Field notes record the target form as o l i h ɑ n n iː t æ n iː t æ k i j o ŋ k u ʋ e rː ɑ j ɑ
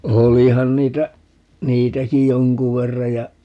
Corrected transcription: o l i h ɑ n n iː t æ n iː t æ k i j o ŋ k u ʋ e rː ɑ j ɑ